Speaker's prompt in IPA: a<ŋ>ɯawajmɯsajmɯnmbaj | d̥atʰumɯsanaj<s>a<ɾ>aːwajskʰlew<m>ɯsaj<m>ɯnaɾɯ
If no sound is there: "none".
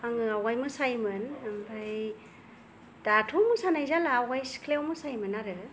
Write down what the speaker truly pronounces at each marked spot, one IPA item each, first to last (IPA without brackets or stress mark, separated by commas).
ŋ, z, l, m, m